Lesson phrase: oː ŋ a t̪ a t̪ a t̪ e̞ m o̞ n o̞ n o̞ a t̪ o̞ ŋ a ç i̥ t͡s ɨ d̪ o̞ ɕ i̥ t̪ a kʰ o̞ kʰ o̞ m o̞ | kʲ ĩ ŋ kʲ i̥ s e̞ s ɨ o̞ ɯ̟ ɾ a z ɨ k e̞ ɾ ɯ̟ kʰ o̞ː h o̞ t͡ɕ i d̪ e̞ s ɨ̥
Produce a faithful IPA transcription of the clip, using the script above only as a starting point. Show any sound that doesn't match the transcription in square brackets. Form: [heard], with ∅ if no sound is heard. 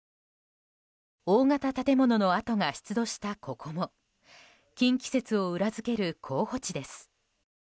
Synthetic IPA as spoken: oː ŋ a t̪ a t̪ a t̪ e̞ m o̞ n o̞ n o̞ a t̪ o̞ ŋ a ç i̥ t͡s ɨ d̪ o̞ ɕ i̥ t̪ a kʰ o̞ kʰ o̞ m o̞ | kʲ ĩ ŋ kʲ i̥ s e̞ [t͡s] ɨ o̞ ɯ̟ ɾ a z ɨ k e̞ ɾ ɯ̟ kʰ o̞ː h o̞ t͡ɕ i d̪ e̞ s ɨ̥